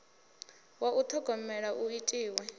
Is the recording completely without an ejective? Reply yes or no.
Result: no